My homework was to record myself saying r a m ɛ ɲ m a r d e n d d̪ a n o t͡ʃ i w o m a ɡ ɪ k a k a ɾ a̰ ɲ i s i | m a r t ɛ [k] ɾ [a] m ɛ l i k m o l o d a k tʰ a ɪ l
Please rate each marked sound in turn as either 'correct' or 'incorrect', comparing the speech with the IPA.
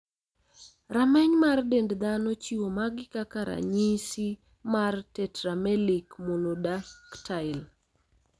incorrect: t, correct

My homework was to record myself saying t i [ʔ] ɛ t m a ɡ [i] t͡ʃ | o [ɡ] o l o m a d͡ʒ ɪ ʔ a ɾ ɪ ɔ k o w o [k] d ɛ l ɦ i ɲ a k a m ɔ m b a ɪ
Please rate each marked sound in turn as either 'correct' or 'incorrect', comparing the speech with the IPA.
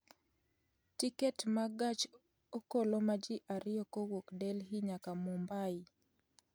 incorrect: k, incorrect: a, incorrect: k, correct

